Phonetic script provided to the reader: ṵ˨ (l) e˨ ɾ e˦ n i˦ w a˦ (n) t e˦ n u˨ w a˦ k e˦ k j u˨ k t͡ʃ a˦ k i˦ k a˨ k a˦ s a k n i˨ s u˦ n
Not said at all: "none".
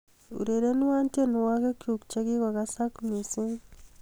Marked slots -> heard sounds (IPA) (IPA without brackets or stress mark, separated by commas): ɾ, n